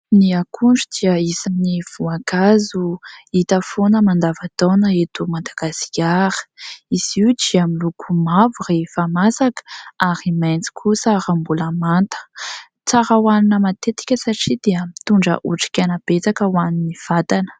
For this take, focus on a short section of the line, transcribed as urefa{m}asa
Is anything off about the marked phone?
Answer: no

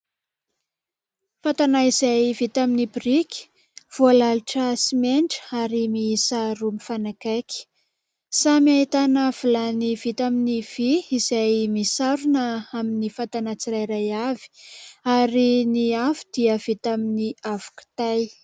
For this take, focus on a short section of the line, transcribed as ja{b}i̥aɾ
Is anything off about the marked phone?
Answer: yes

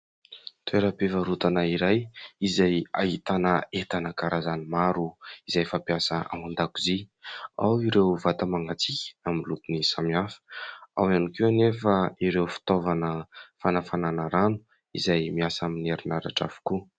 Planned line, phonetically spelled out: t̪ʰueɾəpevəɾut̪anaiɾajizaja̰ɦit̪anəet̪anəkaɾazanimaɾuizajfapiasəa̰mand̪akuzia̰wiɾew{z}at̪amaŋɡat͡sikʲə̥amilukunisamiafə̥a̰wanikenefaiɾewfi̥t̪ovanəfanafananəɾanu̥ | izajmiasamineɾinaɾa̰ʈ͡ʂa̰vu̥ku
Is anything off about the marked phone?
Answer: yes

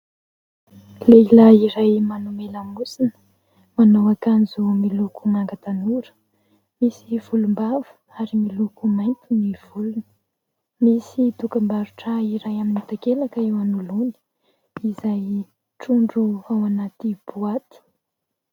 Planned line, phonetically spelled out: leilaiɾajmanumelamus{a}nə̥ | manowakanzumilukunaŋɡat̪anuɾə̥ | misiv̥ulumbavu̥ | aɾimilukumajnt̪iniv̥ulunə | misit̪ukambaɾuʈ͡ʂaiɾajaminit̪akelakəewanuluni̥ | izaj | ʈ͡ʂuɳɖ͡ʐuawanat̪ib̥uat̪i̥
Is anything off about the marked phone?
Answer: yes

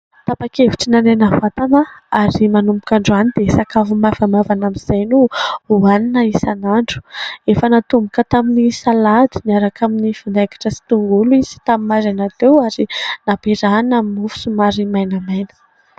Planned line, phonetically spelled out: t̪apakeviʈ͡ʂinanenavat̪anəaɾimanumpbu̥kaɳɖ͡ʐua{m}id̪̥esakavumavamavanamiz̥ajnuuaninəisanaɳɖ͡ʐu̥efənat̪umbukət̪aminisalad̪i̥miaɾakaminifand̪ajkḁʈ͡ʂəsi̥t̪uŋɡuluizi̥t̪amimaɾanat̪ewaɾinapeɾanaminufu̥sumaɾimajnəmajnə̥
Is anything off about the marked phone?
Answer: yes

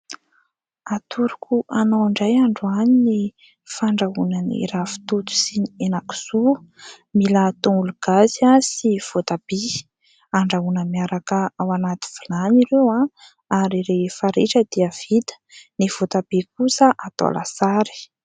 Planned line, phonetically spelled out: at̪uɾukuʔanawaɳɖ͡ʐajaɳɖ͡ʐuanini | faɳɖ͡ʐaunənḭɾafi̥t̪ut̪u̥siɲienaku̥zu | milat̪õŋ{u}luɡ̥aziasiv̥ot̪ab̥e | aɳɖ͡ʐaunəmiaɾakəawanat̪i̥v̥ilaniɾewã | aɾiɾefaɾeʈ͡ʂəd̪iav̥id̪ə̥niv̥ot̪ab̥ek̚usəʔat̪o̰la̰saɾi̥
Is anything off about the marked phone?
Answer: no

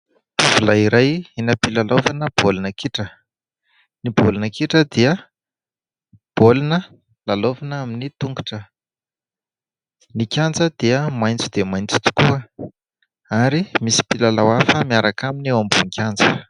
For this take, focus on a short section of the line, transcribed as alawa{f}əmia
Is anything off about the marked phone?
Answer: no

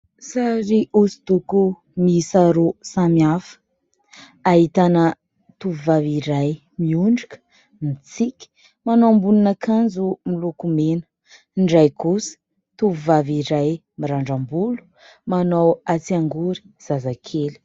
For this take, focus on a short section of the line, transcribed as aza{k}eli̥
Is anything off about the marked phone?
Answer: yes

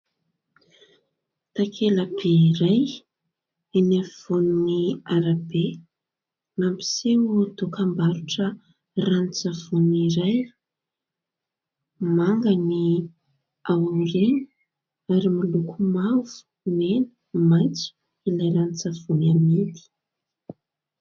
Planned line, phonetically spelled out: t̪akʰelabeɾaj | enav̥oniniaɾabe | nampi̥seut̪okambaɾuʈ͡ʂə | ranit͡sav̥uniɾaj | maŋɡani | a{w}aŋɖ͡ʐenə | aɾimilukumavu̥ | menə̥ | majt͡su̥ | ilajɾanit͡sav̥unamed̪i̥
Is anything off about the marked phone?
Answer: no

